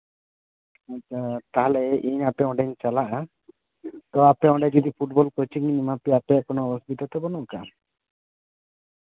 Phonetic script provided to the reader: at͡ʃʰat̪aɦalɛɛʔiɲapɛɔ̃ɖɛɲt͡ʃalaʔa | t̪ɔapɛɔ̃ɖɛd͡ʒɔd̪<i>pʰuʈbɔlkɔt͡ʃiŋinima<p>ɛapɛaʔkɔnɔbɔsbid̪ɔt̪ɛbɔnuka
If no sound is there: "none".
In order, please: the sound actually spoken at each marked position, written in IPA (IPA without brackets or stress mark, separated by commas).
i, p